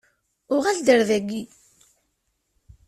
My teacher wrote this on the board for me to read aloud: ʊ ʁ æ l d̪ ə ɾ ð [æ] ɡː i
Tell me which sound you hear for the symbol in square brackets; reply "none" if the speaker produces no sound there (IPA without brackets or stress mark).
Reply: æ